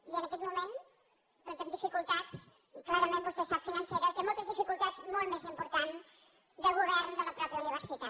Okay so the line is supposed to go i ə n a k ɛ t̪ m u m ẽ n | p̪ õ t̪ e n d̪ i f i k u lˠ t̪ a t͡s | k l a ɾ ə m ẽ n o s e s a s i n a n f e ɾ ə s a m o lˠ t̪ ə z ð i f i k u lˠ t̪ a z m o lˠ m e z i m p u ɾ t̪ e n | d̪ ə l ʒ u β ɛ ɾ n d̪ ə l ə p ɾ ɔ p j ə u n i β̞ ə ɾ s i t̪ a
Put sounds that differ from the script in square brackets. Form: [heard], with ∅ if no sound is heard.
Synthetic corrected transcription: i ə n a k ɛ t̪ m u m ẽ n | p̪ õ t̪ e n d̪ i f i k u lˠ t̪ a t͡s | k l a ɾ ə m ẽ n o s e s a [f] i n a n [s] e ɾ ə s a m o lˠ t̪ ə z ð i f i k u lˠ t̪ a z m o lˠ m e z i m p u ɾ t̪ [a] n | d̪ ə l [ɣ] u β ɛ ɾ n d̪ ə l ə p ɾ ɔ p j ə u n i β̞ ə ɾ s i t̪ a